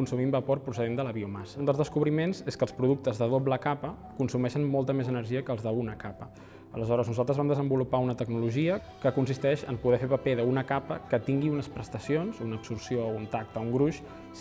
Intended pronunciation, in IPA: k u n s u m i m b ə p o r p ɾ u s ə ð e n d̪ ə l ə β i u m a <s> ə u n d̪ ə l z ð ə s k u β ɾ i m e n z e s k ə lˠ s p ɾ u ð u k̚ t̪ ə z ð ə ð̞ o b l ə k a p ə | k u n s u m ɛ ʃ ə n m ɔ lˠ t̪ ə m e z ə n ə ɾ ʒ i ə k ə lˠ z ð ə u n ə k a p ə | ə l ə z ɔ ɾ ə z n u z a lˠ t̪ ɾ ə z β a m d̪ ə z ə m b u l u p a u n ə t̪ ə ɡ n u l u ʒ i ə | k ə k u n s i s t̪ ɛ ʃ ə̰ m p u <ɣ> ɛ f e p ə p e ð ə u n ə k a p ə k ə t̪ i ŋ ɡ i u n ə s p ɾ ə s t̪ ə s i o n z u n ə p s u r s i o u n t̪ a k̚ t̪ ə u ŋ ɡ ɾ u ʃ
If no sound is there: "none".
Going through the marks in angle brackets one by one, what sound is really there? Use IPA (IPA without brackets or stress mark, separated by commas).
s, ð